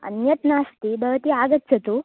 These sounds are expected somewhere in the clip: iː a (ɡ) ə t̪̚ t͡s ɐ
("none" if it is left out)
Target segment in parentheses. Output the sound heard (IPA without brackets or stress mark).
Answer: ɡ